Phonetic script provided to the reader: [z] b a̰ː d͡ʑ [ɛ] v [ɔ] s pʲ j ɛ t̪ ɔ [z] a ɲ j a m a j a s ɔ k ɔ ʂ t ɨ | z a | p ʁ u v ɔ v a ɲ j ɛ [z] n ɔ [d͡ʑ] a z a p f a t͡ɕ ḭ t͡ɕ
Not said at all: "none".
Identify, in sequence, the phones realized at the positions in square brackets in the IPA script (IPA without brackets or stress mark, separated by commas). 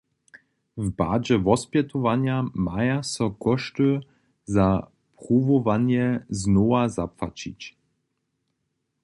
v, ɛ, ɔ, v, z, none